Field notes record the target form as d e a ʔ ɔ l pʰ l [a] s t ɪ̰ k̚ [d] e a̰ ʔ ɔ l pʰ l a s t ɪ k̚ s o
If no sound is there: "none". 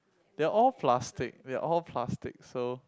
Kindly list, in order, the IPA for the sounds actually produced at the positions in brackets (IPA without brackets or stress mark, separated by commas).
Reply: a, d